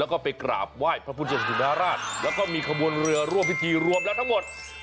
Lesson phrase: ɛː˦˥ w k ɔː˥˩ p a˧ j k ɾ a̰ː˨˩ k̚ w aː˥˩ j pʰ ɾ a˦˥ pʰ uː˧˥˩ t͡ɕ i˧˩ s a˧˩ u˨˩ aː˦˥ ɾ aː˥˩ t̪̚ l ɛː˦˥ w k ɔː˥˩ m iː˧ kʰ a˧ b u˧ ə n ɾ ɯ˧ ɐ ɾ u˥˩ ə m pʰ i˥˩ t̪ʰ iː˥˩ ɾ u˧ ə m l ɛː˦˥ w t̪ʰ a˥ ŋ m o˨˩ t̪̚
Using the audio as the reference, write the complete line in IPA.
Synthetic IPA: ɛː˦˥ w k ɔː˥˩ p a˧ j k ɾ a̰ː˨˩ p̚ w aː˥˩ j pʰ ɾ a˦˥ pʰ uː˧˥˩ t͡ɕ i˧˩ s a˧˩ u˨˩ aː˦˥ ɾ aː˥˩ t̪̚ l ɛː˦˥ w k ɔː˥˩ m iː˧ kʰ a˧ b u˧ ə n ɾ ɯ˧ ɐ ɾ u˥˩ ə m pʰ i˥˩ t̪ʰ iː˧ ɾ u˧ ə m l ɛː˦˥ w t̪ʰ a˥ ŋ m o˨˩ t̪̚